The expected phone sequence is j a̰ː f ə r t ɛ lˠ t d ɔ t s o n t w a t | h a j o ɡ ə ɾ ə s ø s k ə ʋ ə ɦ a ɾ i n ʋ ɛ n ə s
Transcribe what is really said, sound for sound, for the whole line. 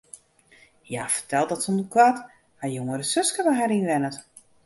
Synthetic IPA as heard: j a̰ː f ə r t ɛ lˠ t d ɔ t s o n k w a t | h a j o ŋ ə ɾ ə s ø s k ə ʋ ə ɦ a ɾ i n ʋ ɛ n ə t